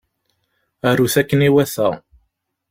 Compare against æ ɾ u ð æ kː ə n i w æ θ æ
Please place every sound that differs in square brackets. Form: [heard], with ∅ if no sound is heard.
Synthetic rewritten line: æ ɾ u [θ] æ kː ə n i w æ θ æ